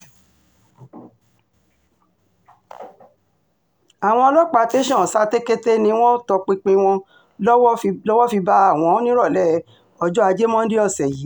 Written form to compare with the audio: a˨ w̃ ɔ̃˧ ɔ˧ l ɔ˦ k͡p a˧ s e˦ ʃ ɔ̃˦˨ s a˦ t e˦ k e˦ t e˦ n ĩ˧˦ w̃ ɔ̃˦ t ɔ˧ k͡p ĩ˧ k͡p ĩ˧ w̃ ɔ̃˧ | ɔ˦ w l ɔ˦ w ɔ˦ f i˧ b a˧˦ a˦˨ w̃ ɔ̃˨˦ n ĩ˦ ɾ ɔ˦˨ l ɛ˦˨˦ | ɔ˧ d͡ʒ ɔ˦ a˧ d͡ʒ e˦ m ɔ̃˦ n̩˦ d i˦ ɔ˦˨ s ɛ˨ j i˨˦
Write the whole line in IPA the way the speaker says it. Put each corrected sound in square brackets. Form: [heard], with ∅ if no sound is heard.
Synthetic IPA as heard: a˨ w̃ ɔ̃˧ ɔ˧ l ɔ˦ k͡p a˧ [t] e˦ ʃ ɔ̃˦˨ s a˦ t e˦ k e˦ t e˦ n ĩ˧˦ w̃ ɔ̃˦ t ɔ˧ k͡p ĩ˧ k͡p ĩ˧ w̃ ɔ̃˧ | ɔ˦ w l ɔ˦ w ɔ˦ f i˧ b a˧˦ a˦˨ w̃ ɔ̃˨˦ n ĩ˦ ɾ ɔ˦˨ l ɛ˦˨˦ | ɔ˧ d͡ʒ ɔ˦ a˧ d͡ʒ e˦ m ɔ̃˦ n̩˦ d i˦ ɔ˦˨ s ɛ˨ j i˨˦